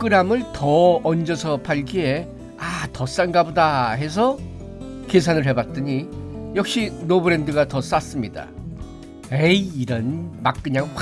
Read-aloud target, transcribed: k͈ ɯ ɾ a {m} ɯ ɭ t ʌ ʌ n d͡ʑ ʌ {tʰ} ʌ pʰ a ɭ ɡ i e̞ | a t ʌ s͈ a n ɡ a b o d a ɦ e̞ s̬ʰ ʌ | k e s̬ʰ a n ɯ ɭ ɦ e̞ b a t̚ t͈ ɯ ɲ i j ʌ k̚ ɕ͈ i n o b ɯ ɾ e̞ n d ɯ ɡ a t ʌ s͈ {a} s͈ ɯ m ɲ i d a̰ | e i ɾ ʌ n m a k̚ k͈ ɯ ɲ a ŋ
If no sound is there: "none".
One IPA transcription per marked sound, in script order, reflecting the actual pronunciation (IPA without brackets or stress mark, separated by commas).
m, sʰ, a